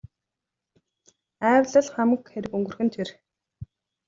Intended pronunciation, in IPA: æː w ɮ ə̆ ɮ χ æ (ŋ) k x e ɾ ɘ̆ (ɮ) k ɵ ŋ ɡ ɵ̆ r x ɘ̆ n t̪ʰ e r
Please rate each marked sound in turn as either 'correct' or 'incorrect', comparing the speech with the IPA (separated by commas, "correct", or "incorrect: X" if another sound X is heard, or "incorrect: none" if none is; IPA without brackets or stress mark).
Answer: incorrect: m, incorrect: none